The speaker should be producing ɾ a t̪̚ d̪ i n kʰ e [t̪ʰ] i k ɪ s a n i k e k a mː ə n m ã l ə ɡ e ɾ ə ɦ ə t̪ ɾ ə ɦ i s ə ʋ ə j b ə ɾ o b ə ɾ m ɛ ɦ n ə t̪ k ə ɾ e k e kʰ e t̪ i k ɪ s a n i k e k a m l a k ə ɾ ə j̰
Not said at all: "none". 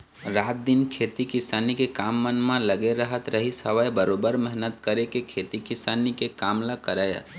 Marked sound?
t̪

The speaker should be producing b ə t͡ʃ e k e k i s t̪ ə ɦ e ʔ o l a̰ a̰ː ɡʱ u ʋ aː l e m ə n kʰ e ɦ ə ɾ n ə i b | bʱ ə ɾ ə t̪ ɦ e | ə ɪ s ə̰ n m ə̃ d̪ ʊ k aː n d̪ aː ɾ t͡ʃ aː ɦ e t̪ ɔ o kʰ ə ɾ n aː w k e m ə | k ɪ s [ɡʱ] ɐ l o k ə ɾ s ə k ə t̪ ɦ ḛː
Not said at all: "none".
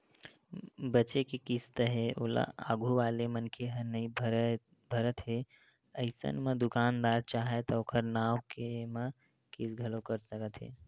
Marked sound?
ɡʱ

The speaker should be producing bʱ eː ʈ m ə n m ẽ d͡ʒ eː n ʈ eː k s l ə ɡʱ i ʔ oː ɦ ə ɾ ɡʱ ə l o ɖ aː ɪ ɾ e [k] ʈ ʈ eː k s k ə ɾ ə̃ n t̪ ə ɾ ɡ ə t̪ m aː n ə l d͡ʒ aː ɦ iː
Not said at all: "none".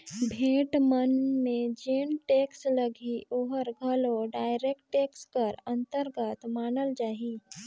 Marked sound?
k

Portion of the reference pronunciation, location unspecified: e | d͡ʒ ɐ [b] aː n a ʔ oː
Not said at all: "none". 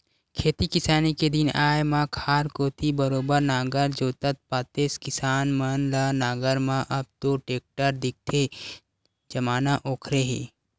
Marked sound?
m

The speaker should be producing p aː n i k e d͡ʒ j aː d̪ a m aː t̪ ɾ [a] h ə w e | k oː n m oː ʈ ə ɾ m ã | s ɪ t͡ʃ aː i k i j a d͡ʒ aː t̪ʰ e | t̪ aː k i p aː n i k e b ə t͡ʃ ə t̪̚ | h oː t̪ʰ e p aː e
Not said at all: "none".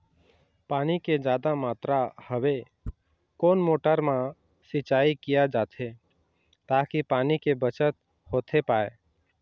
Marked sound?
a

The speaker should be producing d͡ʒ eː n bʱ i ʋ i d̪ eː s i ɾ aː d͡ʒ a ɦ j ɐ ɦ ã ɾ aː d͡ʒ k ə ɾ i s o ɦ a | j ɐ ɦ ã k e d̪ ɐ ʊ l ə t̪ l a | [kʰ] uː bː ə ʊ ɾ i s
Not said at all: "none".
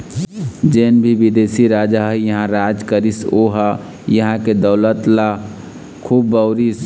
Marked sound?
kʰ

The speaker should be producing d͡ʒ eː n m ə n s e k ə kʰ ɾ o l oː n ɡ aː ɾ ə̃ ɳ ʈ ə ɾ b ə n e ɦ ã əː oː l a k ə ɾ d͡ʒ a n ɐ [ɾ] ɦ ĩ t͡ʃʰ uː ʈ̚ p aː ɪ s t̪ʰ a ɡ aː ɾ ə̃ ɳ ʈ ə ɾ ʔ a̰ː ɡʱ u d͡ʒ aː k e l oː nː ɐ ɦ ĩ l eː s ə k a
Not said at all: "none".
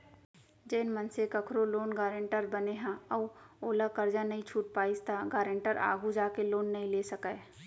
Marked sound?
none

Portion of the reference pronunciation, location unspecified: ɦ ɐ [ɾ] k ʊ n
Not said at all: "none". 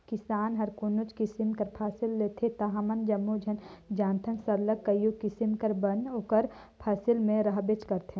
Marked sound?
ɾ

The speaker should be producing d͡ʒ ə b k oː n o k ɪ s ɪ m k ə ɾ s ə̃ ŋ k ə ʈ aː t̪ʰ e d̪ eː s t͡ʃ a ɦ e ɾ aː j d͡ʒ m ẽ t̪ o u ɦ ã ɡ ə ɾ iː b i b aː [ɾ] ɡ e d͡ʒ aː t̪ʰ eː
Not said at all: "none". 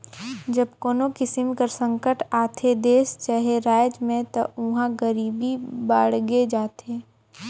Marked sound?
ɽ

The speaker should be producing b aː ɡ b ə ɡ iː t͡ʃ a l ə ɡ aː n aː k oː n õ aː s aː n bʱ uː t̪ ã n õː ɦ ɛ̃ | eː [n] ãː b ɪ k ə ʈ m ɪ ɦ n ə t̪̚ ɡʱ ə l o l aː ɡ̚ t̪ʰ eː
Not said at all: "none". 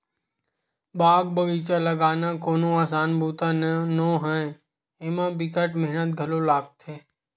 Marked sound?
m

